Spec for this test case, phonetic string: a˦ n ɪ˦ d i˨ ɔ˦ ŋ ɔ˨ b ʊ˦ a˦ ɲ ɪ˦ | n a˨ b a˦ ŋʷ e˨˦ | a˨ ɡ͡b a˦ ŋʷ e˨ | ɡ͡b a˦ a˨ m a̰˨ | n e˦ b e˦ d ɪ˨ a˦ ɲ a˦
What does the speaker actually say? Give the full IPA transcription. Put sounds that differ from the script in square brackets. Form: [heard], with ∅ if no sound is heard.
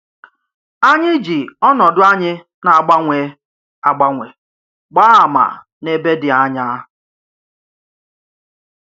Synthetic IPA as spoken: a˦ [ɲ] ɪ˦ [d͡ʒ] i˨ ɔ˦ [n] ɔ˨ [d] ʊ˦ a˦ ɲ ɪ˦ | n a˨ [ɡ͡b] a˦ ŋʷ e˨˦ | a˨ ɡ͡b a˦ ŋʷ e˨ | ɡ͡b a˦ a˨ m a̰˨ | n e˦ b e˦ d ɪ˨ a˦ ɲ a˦